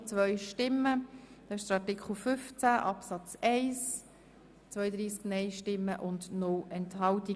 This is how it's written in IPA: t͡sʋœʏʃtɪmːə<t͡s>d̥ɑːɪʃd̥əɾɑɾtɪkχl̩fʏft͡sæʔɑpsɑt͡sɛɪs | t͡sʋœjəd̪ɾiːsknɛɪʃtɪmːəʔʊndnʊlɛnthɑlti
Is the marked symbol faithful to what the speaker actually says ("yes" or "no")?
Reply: no